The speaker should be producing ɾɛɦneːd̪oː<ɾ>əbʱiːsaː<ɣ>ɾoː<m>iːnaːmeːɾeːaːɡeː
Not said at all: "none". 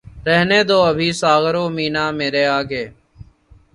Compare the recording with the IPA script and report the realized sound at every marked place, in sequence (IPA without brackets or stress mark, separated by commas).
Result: none, ɣ, m